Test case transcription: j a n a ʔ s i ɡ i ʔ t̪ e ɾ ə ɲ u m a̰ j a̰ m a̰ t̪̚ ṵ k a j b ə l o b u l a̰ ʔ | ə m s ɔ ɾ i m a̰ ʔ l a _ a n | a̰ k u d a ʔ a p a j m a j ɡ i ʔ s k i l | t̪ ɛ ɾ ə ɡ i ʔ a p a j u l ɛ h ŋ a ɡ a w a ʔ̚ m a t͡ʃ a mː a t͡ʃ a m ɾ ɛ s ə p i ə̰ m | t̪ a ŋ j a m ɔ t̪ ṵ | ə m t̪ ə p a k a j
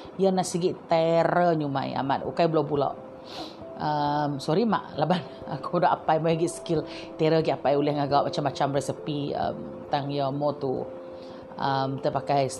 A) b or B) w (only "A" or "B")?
A